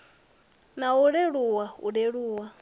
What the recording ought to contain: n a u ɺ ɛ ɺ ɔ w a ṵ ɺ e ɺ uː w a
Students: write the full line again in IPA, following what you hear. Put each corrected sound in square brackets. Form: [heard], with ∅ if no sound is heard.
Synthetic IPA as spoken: n a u ɺ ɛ ɺ [u] w a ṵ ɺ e ɺ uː w a